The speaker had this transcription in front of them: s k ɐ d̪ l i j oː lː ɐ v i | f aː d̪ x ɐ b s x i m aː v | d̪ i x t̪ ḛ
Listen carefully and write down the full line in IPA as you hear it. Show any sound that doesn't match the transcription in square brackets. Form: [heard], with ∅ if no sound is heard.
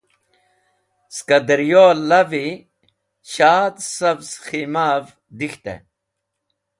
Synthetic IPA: s k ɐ d̪ [ɾ] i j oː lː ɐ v i | [ɕ] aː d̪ [s] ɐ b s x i m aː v | d̪ i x t̪ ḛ